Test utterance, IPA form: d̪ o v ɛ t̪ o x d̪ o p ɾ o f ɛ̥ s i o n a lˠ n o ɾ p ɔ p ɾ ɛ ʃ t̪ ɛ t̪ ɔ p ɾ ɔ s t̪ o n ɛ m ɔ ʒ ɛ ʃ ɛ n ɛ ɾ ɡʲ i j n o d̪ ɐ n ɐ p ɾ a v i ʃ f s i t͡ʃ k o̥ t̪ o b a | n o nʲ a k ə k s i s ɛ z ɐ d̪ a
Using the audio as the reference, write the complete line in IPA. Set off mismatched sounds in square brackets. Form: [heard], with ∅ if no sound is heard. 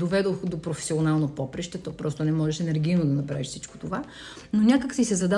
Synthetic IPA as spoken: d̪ o v ɛ [d̪] o x d̪ o p ɾ o f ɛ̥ s i o n a lˠ n o [∅] p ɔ p ɾ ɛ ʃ t̪ ɛ t̪ ɔ p ɾ ɔ s t̪ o n ɛ m ɔ ʒ ɛ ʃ ɛ n ɛ ɾ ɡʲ i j n o d̪ ɐ n ɐ p ɾ a v i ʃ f s i t͡ʃ k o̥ t̪ o [v] a | n o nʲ a k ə k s i s ɛ z ɐ d̪ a